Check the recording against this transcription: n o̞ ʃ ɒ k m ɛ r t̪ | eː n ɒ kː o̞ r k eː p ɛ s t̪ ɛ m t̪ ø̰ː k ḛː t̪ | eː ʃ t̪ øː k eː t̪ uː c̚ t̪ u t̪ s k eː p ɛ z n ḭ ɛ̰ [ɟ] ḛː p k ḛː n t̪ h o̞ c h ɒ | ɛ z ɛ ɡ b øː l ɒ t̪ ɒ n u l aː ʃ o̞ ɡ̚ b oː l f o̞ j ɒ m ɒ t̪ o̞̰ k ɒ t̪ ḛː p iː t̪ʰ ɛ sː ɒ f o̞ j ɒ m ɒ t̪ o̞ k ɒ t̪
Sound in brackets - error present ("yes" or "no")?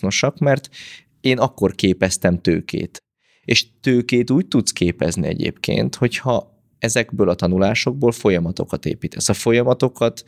no